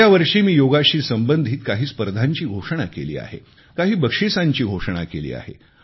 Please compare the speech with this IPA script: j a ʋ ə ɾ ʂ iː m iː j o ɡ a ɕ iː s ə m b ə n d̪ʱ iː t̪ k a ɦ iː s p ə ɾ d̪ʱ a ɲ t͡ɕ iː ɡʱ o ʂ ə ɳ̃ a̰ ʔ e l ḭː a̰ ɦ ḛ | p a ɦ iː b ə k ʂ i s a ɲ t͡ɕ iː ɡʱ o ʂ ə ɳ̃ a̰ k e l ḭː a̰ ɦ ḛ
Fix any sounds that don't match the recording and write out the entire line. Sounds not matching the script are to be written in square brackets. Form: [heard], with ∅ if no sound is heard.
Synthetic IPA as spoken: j a ʋ ə ɾ ʂ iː m iː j o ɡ a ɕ iː s ə m b ə n d̪ʱ iː t̪ k a ɦ iː s p ə ɾ d̪ʱ a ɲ t͡ɕ iː ɡʱ o ʂ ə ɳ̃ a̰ [k] e l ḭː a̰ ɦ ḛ | [k] a ɦ iː b ə k ʂ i s a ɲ t͡ɕ iː ɡʱ o ʂ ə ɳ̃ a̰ k e l ḭː a̰ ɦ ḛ